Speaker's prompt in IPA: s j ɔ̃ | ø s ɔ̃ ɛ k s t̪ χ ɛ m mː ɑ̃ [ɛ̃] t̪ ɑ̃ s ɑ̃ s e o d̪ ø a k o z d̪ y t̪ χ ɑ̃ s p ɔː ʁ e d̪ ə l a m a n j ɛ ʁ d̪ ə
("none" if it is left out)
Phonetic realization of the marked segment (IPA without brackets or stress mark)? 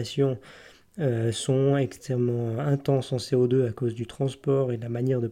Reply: ɛ̃